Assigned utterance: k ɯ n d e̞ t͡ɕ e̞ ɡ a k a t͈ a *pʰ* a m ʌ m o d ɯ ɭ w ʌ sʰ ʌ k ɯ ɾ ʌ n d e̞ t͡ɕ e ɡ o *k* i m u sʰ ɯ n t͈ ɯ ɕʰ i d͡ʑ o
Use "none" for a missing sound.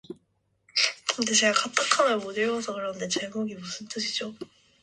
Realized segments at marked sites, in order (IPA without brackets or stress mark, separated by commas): kʰ, ɡ